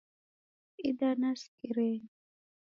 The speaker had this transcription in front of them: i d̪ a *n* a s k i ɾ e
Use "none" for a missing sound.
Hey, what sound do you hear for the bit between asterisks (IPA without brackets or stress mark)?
n